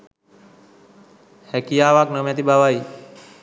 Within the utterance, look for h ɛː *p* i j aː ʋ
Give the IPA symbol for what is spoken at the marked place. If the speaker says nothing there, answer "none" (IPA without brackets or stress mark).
k